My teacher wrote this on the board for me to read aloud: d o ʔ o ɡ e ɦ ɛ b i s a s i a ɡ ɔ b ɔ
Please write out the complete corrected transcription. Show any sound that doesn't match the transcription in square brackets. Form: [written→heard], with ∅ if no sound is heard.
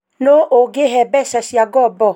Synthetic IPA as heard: [d→n] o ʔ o ɡ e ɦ ɛ b [i→ɛ] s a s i a ɡ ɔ b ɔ